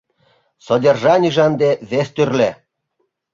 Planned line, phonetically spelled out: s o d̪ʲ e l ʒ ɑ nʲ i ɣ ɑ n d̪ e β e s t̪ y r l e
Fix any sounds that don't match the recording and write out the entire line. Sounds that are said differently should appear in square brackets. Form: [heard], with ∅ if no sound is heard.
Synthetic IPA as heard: s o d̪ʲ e [r] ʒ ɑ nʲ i [ʒ] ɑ n d̪ e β e s t̪ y r l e